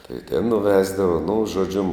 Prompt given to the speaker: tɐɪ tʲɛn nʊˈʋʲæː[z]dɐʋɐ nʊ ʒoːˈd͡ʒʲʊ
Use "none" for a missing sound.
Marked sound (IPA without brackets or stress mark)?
z